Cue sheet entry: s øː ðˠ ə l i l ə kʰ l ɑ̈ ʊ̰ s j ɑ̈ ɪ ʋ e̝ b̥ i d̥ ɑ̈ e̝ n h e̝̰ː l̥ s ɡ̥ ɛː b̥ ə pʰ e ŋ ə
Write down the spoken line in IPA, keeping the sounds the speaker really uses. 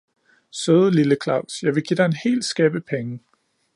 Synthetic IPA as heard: s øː ðˠ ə l i l ə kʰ l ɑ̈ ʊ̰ s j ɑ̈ ɪ ʋ e̝ ɡ̥ i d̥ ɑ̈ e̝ n h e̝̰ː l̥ s ɡ̥ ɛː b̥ ə pʰ e ŋ ə

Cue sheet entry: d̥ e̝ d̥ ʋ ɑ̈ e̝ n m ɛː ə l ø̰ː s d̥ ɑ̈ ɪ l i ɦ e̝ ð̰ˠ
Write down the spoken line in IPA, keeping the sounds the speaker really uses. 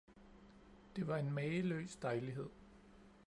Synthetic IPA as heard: d̥ e̝ ʋ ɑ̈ e̝ n m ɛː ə l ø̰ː s d̥ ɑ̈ ɪ l i ɦ e̝ ð̰ˠ

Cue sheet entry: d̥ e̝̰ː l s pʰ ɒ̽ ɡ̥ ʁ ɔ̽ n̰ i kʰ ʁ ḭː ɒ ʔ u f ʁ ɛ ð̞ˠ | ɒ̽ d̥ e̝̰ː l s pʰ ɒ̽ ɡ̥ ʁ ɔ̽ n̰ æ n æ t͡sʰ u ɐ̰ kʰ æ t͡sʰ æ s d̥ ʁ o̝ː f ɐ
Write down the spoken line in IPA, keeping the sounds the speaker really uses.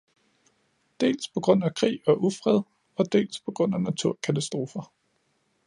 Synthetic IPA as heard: d̥ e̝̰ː l s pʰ ɒ̽ ɡ̥ ʁ ɔ̽ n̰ æ kʰ ʁ ḭː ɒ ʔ u f ʁ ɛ ð̞ˠ | ɒ̽ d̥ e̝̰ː l s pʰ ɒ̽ ɡ̥ ʁ ɔ̽ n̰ æ n æ t͡sʰ u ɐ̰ kʰ æ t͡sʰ æ s d̥ ʁ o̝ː f ɐ

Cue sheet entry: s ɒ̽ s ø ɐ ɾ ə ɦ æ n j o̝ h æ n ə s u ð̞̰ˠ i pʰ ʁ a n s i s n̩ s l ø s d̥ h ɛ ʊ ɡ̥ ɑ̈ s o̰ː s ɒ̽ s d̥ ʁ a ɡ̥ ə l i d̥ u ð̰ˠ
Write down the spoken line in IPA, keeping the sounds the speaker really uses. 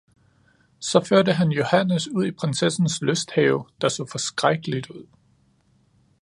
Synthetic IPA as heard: s ɒ̽ f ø ɐ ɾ ə ɦ æ n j o̝ h æ n ə s u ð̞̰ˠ i pʰ ʁ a n s e s n̩ s l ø s d̥ h ɛ ʊ d̥ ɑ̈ s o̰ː f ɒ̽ s ɡ̥ ʁ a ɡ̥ ə l i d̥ u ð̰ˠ

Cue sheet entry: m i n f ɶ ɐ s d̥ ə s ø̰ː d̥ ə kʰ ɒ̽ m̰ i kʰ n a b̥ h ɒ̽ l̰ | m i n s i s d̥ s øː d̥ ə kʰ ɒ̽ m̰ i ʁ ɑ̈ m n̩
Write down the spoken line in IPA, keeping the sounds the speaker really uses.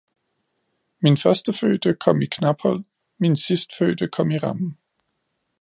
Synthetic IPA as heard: m i n f ɶ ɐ s d̥ ə f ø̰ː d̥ ə kʰ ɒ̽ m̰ i kʰ n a b̥ h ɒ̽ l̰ | m i n s i s d̥ f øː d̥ ə kʰ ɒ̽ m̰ i ʁ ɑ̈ m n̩

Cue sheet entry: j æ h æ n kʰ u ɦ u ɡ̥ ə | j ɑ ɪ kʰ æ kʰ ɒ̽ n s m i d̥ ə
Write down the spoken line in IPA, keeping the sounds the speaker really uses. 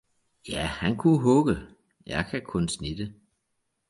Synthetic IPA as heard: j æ h æ n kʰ u ɦ ɔ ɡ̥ ə | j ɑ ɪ kʰ æ kʰ ɔ̽ n s n i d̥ ə

